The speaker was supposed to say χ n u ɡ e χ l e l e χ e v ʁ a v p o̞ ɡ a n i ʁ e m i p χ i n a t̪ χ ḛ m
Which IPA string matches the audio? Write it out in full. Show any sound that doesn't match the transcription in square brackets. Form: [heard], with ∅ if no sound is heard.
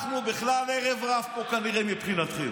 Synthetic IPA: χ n u [b] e χ l [a] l e [ʁ] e v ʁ a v p o̞ [k] a n i ʁ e m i p χ i n a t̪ χ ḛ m